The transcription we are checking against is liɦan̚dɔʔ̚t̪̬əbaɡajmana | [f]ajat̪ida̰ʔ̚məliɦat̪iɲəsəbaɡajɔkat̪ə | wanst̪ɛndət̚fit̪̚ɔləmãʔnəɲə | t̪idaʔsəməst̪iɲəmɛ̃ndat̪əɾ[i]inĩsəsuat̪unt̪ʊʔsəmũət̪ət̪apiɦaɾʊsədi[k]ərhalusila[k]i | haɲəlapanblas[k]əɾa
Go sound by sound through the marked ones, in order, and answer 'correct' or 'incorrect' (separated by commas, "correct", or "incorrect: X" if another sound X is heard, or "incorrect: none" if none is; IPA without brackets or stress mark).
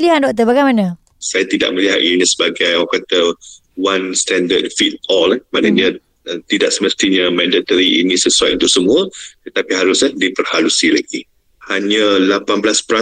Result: incorrect: s, correct, incorrect: p, incorrect: ɡ, incorrect: p